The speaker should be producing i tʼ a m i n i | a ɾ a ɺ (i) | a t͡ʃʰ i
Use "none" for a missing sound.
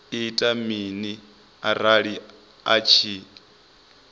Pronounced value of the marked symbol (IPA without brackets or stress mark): i